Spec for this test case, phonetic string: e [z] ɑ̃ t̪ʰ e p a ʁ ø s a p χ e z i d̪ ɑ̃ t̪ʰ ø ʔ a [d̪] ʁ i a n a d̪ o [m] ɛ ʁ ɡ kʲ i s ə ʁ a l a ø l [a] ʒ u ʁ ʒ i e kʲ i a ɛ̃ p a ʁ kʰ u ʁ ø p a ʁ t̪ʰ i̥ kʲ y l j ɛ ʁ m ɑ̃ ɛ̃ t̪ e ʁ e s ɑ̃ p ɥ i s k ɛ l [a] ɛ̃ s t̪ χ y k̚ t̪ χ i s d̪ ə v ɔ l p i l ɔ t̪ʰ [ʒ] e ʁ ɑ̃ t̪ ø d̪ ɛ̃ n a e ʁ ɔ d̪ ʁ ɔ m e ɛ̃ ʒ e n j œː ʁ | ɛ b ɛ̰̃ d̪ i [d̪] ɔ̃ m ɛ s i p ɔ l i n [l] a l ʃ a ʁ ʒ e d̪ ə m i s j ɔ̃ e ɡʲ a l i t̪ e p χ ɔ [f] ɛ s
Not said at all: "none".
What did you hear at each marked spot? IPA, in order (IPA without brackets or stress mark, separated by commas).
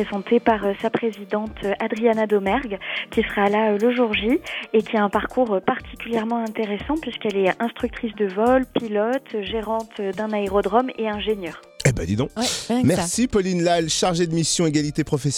z, d̪, m, ə, ɛ, ʒ, d̪, l, f